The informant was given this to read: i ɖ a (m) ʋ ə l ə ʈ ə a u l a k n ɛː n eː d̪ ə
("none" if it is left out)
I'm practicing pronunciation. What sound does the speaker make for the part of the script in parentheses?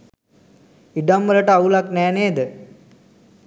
m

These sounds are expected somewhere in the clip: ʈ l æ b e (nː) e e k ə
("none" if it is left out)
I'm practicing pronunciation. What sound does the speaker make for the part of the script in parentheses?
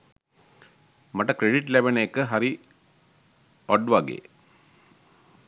n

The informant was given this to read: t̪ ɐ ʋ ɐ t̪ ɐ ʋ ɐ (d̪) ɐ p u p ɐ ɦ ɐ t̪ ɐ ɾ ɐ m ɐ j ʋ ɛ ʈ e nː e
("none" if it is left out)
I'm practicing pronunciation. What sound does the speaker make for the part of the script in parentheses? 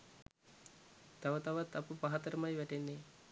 t̪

